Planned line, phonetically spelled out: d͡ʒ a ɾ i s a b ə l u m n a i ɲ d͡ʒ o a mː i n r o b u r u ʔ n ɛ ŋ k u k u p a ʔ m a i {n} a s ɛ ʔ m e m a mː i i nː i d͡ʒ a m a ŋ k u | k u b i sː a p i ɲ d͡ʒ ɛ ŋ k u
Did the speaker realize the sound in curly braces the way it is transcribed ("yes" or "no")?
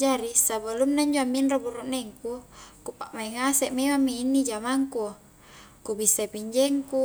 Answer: no